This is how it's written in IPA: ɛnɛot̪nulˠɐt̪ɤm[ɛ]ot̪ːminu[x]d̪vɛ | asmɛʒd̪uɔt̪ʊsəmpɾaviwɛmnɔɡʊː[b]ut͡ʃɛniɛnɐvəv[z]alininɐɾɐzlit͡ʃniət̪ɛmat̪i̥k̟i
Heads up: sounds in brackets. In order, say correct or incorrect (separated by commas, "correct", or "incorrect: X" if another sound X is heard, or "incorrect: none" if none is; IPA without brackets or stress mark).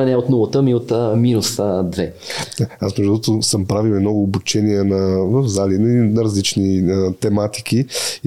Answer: incorrect: i, incorrect: s, correct, correct